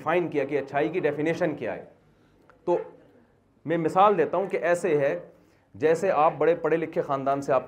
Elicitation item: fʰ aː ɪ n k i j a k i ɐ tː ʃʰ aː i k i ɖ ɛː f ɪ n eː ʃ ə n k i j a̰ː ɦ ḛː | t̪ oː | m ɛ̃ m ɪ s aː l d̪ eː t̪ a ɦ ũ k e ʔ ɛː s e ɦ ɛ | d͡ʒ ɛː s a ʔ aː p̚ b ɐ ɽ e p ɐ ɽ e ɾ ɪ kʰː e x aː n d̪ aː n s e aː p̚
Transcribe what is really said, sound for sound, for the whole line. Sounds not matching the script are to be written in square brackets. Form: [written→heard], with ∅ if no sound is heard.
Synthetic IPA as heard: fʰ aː ɪ n k i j a k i ɐ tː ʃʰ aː i k i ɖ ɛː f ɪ n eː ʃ ə n k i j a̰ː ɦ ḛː | t̪ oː | m ɛ̃ m ɪ s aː l d̪ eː t̪ a ɦ ũ k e ʔ ɛː s e ɦ ɛ | d͡ʒ ɛː s [a→e] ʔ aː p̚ b ɐ ɽ e p ɐ ɽ e [ɾ→l] ɪ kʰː e x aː n d̪ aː n s e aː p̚